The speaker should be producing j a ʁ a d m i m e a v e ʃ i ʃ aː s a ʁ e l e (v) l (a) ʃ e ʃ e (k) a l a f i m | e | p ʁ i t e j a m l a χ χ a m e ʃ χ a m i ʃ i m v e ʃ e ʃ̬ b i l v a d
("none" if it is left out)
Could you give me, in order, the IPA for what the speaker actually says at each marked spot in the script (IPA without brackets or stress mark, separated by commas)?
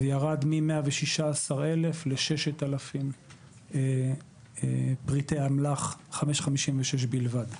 f, e, t